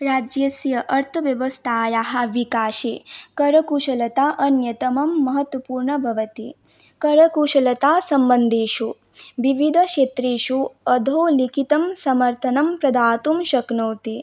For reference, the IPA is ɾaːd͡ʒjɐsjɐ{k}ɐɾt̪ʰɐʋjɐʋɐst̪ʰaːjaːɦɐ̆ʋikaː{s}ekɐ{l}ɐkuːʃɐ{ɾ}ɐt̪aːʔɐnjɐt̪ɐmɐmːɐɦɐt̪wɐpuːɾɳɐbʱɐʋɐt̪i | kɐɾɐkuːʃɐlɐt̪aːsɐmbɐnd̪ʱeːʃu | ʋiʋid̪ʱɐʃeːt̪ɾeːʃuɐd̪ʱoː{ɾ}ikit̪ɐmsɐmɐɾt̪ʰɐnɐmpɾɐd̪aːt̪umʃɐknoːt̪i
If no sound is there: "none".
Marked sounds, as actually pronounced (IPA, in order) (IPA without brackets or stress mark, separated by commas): ʔ, ʃ, ɾ, l, l